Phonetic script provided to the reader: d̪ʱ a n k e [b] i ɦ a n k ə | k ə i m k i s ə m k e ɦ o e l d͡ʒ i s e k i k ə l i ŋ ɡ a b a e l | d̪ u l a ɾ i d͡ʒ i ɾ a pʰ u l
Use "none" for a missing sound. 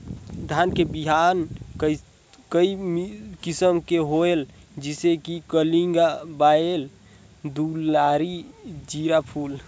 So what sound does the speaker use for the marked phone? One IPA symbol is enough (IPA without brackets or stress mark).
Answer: b